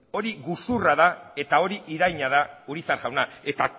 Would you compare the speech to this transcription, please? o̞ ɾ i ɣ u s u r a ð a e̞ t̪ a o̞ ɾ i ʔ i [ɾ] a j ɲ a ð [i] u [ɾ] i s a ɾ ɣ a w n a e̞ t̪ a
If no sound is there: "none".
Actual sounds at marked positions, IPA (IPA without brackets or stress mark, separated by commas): ɾ, a, ɾ